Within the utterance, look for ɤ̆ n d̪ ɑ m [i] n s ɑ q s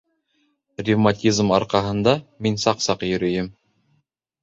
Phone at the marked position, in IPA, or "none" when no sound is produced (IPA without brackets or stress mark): i